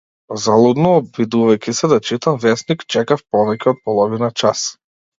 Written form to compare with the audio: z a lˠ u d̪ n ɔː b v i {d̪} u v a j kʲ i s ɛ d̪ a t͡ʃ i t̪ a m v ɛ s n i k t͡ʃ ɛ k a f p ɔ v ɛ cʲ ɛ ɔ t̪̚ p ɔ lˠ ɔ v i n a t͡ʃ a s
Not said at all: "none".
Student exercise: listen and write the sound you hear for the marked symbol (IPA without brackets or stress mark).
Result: d̪